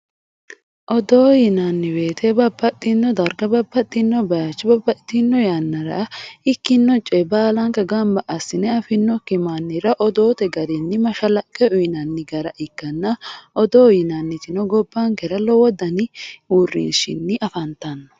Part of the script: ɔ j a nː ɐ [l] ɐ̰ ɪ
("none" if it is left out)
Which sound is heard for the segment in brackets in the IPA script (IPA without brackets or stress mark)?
ɾ